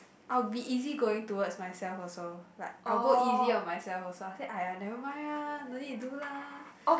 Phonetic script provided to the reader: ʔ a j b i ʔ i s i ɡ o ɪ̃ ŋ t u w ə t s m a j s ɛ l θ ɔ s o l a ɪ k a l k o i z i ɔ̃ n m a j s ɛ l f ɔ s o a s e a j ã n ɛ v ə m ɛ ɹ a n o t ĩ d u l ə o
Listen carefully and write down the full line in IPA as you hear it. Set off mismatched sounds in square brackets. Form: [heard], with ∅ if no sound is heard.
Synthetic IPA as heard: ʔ a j b i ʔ i [z] i ɡ o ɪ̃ ŋ t u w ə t s m a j s ɛ l [f] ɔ s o l a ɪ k a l [ɡ] o i z i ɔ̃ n m a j s ɛ l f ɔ s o a s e a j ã n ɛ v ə m [a] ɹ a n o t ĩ d u l [a] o